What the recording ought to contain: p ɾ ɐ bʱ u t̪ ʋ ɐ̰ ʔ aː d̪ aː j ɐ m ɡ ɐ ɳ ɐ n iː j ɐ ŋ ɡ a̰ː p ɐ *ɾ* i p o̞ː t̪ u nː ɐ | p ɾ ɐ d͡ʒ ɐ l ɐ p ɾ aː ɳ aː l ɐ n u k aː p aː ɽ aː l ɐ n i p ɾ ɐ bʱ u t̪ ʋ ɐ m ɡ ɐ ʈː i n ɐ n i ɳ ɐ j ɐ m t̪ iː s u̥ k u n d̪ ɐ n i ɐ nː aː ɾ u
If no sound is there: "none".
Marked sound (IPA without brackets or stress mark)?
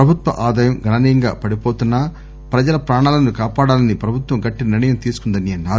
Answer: ɽ